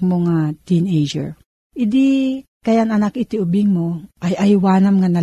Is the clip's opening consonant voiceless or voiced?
voiced